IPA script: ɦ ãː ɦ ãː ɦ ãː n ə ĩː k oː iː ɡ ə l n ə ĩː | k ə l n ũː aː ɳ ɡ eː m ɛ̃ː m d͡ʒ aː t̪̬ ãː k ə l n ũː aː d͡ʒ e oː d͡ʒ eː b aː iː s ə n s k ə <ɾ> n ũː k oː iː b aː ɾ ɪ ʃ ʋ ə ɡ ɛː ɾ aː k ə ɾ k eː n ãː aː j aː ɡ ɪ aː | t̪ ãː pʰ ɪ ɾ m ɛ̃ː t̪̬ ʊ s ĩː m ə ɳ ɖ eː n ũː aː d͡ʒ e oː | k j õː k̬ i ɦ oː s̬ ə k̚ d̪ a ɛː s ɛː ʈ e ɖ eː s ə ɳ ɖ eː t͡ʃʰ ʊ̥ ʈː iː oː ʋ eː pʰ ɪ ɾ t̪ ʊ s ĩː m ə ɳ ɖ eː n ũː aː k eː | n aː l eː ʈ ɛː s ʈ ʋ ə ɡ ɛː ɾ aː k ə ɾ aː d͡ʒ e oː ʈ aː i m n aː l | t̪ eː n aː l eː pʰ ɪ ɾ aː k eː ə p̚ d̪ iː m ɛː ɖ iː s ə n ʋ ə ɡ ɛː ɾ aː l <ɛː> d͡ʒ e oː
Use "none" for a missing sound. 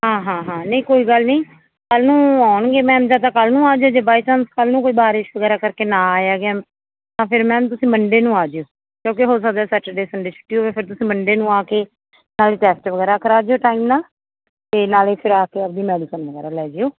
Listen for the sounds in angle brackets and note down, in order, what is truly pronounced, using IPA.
l, ɛː

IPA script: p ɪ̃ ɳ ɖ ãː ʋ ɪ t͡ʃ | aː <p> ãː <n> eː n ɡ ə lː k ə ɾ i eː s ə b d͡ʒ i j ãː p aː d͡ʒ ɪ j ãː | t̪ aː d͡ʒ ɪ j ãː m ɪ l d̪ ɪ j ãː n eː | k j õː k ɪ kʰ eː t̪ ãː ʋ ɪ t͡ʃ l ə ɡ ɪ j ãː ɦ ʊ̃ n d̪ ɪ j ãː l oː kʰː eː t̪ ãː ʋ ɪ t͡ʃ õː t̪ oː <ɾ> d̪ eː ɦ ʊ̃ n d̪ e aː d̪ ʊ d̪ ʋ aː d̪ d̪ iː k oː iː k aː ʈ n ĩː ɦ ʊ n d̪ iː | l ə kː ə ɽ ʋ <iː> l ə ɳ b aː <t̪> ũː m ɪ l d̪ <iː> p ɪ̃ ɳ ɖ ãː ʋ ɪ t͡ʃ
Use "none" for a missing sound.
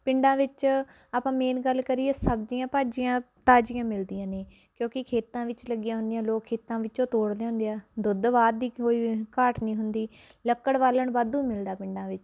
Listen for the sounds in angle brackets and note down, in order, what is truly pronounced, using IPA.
p, m, ɽ, aː, d̪, aː

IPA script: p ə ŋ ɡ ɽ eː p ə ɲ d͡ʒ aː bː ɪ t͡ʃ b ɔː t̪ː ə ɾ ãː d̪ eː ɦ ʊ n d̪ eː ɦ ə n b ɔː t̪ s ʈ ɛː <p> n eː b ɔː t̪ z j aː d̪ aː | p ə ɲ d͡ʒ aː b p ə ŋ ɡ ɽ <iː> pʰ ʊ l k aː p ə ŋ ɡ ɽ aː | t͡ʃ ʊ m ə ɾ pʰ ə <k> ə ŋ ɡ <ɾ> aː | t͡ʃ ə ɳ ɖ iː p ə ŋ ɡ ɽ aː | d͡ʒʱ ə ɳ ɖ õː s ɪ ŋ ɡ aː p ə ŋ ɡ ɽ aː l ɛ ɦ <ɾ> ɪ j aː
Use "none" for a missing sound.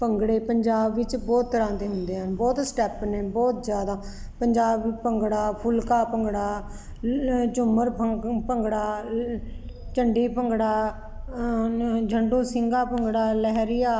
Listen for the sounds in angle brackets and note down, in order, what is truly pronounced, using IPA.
p, aː, p, ɽ, ɾ

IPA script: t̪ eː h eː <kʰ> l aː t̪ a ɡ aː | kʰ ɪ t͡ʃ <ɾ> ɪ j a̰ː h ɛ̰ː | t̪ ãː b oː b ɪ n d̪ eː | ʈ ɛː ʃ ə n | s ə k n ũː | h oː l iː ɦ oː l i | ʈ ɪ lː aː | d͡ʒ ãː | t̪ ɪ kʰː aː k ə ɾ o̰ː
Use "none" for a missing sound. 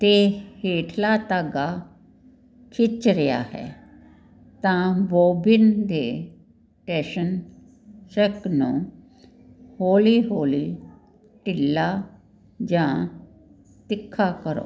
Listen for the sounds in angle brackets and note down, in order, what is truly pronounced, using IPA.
ʈʰ, ɾ

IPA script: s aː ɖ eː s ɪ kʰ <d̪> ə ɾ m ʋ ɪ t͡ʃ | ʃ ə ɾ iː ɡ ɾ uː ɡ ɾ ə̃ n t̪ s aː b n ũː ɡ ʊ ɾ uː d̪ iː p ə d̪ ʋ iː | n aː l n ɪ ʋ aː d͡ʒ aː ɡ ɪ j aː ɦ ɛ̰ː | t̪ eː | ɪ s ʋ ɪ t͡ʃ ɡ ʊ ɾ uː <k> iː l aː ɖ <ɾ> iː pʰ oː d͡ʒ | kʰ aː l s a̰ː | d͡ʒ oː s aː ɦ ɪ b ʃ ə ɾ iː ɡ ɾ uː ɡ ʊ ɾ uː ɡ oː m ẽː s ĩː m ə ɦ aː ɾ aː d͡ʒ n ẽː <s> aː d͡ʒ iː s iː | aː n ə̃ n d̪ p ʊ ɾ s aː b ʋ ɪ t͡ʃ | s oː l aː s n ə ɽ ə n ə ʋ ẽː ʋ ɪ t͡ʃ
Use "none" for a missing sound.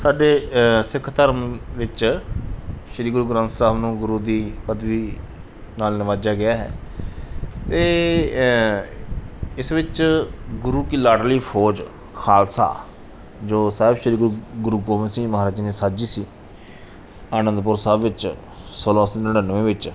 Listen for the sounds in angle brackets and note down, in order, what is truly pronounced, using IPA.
t̪, k, l, s

